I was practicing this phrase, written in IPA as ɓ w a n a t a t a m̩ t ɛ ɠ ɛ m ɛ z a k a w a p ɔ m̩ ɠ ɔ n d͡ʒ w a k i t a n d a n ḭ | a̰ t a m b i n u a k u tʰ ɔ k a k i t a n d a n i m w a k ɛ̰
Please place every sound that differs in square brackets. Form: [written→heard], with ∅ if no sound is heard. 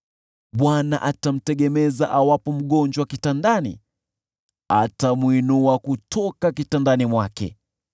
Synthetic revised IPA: ɓ w a n a [t→ʔ] a t a m̩ t ɛ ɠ ɛ m ɛ z a [k→ʔ] a w a p ɔ m̩ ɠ ɔ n d͡ʒ w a k i t a n d a n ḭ | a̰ t a m [b→w] i n u a k u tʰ ɔ k a k i t a n d a n i m w a k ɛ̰